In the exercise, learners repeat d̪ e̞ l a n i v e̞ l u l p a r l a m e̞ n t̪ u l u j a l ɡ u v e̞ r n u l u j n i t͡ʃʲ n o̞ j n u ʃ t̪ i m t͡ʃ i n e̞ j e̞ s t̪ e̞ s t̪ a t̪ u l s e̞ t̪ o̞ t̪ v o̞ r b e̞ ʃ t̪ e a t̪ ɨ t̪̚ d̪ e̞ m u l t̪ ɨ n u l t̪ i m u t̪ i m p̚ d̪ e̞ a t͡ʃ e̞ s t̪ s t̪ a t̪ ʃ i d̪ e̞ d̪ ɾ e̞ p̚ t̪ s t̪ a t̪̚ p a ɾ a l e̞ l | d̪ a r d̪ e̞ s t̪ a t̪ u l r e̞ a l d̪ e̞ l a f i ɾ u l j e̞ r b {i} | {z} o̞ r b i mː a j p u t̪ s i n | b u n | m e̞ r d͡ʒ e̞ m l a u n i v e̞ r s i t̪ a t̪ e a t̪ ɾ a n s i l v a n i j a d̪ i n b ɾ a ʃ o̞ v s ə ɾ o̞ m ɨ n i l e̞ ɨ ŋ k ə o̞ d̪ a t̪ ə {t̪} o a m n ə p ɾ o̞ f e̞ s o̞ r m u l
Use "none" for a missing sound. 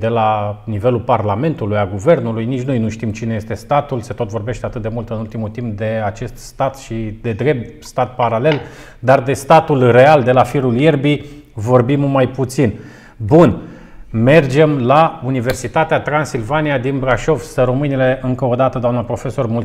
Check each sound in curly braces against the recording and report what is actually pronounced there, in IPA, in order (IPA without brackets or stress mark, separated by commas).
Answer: i, v, d̪